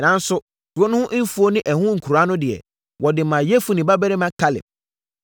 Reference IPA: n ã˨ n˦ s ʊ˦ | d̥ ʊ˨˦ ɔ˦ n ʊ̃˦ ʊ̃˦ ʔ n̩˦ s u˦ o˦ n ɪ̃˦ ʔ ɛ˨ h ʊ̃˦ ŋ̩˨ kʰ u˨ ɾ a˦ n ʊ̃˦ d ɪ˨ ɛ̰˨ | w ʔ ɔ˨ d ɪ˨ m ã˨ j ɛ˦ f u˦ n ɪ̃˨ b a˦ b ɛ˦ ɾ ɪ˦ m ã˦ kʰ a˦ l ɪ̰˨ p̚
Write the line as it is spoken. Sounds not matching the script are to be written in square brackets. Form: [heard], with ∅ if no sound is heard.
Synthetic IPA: n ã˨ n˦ s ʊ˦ | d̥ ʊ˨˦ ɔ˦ n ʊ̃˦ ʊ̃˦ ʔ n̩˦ [f] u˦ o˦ n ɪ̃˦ ʔ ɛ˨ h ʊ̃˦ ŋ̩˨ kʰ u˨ ɾ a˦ n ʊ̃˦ d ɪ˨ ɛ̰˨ | w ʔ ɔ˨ d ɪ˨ m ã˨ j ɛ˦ f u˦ n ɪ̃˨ b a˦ b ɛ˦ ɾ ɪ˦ m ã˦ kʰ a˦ l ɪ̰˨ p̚